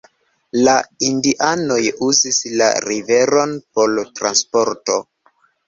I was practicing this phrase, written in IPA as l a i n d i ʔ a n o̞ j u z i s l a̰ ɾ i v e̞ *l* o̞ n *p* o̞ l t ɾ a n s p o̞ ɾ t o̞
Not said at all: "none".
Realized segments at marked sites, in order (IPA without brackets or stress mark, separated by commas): ɾ, p